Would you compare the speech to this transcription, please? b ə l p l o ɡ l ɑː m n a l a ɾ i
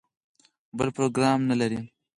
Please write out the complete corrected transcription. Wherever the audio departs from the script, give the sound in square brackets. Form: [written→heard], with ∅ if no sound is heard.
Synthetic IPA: b ə l p [l→ɾ] o ɡ [l→ɾ] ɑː m n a l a ɾ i